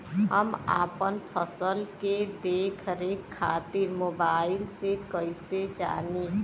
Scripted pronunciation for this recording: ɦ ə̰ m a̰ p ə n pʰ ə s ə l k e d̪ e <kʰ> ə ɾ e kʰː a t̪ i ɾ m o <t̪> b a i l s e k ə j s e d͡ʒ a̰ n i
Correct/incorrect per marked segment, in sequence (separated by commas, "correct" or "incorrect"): correct, incorrect